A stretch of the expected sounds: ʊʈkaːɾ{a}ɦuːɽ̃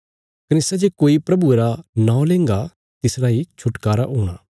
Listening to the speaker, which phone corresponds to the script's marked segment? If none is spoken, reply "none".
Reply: a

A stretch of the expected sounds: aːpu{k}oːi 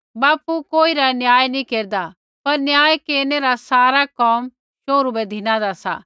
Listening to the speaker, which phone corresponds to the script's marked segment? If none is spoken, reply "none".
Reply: k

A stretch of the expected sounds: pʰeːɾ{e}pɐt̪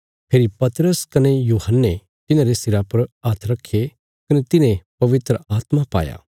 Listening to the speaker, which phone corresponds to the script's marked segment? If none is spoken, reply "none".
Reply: i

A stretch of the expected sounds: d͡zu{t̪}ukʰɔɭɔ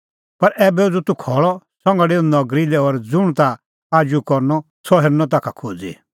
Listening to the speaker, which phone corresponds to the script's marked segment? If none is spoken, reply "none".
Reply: t̪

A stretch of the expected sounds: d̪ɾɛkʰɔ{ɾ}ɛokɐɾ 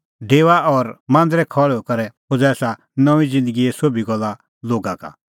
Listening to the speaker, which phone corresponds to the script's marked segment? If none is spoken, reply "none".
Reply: ɭ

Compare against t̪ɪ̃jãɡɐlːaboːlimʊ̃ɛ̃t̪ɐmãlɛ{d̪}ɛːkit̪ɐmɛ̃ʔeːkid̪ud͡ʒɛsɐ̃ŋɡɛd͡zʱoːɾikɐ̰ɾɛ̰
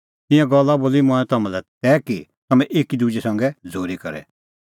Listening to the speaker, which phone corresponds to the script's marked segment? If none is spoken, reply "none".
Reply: t̪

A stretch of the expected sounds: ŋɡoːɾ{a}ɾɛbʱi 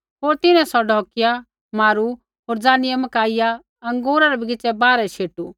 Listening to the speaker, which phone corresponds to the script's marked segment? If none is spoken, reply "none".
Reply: a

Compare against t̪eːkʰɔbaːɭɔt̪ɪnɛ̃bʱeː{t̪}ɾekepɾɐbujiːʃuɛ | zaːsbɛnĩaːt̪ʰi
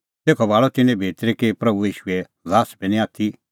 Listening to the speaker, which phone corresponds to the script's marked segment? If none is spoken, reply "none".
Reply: t̪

